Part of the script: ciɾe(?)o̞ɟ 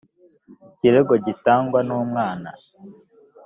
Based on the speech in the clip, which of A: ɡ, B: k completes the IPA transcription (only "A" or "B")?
A